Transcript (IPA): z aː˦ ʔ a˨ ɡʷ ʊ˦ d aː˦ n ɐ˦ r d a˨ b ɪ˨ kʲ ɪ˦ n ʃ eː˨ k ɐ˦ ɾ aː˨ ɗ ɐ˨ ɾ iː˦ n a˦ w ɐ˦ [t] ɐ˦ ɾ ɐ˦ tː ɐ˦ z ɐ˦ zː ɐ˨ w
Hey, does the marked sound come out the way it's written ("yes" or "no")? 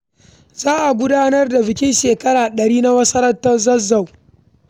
no